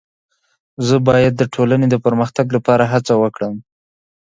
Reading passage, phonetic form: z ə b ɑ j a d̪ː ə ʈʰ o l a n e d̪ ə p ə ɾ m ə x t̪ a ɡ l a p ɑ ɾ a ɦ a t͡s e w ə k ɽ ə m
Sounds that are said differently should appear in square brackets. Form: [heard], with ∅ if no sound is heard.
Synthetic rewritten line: z ə b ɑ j a d̪ː ə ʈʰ o l a n e d̪ ə p ə ɾ m ə x t̪ a ɡ l a p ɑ ɾ a ɦ a t͡s [a] w ə k ɽ ə m